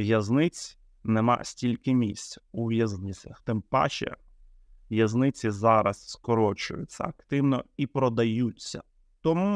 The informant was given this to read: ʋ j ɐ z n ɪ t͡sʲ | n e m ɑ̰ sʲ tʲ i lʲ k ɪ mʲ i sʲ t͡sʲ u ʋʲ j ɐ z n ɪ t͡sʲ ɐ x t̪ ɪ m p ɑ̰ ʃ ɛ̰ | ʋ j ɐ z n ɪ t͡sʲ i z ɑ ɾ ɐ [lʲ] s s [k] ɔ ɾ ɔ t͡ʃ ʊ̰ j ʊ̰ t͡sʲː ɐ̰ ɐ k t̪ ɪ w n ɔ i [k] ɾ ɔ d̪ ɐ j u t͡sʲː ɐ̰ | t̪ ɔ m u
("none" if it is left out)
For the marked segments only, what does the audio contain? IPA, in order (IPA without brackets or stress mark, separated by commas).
none, k, p